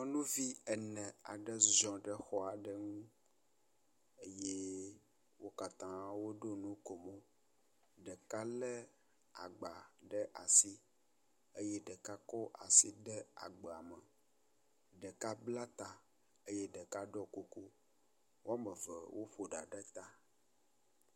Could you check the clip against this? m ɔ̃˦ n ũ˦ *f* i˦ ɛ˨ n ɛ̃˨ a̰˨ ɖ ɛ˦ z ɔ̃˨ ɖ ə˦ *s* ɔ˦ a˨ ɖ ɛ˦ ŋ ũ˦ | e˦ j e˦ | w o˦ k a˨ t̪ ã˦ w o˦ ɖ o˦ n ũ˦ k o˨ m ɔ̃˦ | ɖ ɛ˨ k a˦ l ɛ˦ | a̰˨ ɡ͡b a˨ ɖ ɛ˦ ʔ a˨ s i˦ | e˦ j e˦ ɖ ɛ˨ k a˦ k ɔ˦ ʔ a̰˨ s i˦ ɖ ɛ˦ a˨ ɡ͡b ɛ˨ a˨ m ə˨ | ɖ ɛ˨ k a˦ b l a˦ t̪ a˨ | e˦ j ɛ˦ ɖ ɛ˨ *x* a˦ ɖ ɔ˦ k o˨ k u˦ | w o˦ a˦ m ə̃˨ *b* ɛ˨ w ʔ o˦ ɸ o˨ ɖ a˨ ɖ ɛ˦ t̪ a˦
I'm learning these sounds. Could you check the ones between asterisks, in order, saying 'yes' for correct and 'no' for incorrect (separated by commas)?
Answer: no, no, no, no